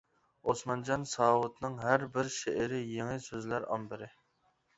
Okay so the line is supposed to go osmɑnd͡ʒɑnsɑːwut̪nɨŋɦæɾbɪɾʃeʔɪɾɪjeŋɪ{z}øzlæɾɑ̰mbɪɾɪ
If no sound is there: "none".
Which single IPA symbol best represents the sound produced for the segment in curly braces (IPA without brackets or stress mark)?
s